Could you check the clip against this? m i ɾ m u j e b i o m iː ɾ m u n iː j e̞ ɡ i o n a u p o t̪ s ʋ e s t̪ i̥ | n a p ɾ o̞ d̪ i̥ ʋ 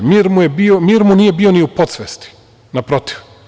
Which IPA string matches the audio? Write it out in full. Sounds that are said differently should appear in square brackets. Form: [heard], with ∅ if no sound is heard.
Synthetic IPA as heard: m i ɾ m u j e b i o m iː ɾ m u n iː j e̞ [b] i o n [i] u p o t̪ s ʋ e s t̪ i̥ | n a p ɾ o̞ [t̪] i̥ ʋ